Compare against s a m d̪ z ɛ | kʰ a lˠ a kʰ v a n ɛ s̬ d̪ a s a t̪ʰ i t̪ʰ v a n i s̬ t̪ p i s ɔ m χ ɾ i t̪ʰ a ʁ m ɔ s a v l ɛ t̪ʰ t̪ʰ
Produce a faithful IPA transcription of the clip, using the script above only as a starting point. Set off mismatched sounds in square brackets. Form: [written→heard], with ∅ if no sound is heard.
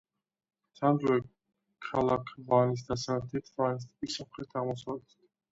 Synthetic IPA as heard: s a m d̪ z ɛ | kʰ a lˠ a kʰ v a n [ɛ→i] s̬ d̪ a s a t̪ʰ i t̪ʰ v a n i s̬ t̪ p i s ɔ m χ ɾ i t̪ʰ a ʁ m ɔ s a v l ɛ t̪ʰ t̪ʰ